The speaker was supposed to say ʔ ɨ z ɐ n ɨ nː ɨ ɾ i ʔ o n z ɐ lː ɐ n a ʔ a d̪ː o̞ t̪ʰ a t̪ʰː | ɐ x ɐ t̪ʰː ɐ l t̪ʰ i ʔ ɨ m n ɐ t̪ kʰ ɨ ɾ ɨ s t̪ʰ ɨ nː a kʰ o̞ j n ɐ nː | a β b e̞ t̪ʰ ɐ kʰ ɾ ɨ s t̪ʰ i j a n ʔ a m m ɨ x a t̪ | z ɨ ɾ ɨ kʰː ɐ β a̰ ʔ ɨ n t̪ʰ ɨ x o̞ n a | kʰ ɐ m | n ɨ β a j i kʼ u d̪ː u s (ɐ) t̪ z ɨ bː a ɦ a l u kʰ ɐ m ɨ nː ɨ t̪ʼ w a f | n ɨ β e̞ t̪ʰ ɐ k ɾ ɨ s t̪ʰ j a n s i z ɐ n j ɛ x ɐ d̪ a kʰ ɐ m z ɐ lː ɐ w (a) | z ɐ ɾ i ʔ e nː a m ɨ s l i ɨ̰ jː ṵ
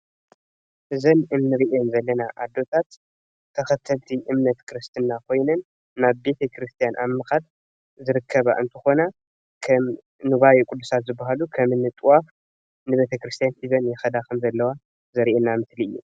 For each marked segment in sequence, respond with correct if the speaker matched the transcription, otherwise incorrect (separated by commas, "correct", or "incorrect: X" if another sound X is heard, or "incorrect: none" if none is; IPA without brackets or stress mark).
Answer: incorrect: a, correct